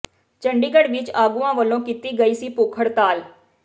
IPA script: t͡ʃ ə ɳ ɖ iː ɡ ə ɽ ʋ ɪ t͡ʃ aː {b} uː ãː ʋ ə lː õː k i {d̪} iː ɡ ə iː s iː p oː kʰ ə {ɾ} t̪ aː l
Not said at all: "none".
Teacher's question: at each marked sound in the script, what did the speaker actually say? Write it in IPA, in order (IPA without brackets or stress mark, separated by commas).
ɡ, t̪, ɽ